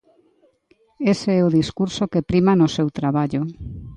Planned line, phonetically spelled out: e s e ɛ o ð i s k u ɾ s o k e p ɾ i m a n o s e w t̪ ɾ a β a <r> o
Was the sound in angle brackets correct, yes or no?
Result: no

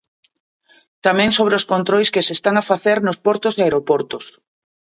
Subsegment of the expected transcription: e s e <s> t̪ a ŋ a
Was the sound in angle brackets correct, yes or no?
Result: yes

